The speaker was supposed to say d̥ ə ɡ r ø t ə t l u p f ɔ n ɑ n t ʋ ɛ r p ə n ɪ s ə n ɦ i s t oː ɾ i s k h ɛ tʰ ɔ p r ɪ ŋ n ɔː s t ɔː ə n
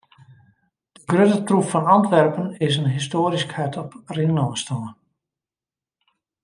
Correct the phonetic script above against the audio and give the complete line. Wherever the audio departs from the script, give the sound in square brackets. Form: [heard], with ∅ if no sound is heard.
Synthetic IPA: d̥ ə ɡ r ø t ə t [r] u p f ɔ n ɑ n t ʋ ɛ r p ə n ɪ s ə n ɦ i s t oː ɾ i s k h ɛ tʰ ɔ p r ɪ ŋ n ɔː s t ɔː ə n